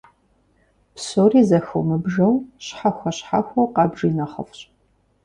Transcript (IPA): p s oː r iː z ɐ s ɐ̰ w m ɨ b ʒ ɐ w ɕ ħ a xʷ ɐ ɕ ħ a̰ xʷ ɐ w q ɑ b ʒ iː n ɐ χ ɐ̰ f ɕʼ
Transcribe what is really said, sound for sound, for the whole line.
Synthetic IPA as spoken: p s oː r iː z ɐ x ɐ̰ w m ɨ b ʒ ɐ w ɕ ħ a xʷ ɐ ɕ ħ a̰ xʷ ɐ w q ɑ b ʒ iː n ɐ χ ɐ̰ f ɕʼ